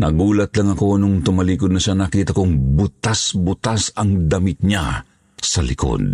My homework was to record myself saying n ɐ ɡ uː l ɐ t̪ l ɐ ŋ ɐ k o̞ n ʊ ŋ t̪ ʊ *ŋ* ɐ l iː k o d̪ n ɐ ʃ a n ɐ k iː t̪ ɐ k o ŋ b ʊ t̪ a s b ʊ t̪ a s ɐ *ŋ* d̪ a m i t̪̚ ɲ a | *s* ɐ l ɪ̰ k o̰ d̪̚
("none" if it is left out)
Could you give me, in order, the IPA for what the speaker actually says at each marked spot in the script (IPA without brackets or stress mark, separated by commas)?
m, ŋ, s